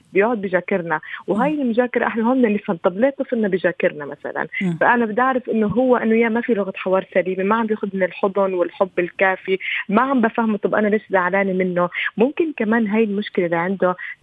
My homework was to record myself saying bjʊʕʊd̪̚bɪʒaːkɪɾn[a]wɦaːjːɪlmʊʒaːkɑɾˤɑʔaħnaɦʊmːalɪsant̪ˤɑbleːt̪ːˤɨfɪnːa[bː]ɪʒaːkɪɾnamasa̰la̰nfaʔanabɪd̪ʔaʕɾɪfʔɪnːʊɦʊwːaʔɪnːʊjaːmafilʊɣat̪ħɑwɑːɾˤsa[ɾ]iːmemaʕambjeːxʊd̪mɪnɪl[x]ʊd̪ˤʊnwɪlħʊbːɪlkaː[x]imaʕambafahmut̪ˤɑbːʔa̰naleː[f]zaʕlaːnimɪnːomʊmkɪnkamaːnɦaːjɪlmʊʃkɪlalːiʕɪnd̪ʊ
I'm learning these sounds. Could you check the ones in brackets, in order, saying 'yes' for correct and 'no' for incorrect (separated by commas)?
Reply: yes, no, no, no, no, no